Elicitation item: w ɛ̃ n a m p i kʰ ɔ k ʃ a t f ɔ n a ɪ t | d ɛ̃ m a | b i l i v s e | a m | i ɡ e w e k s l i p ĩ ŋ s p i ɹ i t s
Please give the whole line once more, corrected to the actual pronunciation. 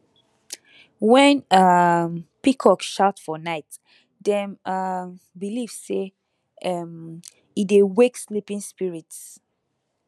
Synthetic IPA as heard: w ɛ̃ n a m p i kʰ ɔ k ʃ a t f ɔ n a ɪ t | d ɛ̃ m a | b i l i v s e | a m | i d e w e k s l i p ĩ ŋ s p i ɹ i t s

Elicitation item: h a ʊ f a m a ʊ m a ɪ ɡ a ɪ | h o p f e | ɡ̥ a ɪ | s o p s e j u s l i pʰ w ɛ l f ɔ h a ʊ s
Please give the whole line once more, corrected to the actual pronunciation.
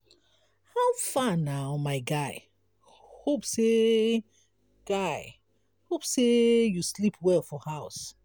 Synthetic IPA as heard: h a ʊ f a n a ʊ m a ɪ ɡ a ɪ | h o p s e | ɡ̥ a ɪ | h o p s e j u s l i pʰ w ɛ l f ɔ h a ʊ s

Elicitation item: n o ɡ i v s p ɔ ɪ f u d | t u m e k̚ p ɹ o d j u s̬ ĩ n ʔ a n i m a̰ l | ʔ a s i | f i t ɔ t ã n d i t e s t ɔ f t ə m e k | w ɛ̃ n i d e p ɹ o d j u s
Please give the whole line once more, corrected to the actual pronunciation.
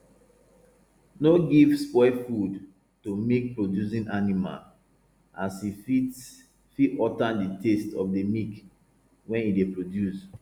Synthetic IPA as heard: n o ɡ i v s p ɔ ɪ f u d | t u m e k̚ p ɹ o d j u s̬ ĩ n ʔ a n i m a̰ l | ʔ a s i | f i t ɔ t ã n d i t e s t ɔ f d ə m i k | w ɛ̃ n i d e p ɹ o d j u s

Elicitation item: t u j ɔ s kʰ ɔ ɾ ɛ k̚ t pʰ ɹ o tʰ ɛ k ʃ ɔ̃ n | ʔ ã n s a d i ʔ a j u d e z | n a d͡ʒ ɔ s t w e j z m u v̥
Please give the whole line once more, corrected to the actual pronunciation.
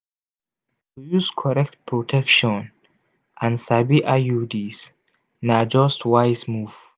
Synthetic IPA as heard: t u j u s kʰ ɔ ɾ ɛ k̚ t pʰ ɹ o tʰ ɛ k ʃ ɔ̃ n | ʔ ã n s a b i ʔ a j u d i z | n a d͡ʒ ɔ s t w a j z m u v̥

